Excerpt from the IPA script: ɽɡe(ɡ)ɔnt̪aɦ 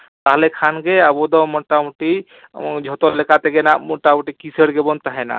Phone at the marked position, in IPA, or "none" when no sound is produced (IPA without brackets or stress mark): b